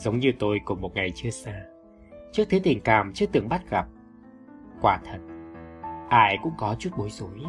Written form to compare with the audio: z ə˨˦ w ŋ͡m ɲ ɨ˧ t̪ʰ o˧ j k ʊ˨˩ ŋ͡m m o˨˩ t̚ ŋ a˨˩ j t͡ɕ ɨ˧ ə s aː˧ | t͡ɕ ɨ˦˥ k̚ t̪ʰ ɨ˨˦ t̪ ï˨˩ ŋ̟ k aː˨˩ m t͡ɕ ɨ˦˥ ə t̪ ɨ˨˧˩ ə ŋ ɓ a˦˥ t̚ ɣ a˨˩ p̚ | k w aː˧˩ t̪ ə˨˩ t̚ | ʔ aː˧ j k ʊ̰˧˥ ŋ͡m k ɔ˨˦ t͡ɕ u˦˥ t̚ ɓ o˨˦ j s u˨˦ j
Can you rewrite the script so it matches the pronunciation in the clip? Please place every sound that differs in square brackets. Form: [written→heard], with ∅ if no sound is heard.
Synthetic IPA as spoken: z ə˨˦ w ŋ͡m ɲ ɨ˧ [t̪ʰ→t̪] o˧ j k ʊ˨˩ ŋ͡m m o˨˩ t̚ ŋ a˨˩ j t͡ɕ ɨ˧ ə s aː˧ | t͡ɕ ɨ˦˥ k̚ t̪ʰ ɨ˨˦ t̪ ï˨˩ ŋ̟ k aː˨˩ m t͡ɕ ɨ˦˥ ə t̪ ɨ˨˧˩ ə ŋ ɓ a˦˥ t̚ ɣ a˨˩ p̚ | k w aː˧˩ [t̪→t̪ʰ] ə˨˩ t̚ | ʔ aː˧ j k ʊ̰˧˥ ŋ͡m k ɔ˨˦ t͡ɕ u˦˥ t̚ ɓ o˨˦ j [s→z] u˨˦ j